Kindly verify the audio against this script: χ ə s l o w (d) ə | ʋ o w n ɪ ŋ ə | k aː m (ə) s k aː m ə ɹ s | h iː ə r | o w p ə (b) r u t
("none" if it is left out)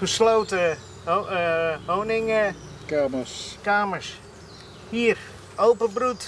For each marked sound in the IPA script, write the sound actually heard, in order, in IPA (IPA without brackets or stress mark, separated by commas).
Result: t, ə, b